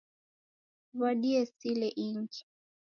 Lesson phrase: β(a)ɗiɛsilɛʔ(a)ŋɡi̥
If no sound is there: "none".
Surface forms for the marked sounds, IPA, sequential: a, i

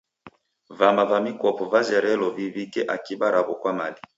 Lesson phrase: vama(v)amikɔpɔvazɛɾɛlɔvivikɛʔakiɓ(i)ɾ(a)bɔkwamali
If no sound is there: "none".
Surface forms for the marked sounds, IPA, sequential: v, a, a

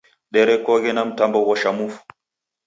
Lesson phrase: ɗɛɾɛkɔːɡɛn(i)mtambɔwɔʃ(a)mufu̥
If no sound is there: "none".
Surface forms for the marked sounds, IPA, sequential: a, a

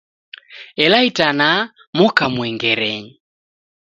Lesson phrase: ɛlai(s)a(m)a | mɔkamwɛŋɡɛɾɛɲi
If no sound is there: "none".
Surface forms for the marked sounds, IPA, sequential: t, n

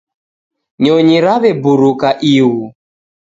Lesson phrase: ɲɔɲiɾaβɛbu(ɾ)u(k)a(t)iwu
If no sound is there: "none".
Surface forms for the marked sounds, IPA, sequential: ɾ, k, ʔ

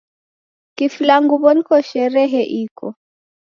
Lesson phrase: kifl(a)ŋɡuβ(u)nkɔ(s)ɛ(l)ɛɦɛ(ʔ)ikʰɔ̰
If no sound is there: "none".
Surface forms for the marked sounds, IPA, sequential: a, ɔ, ʃ, ɾ, ʔ

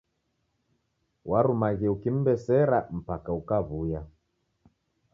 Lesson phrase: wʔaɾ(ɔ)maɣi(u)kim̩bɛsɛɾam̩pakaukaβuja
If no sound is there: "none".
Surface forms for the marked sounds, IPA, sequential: u, u

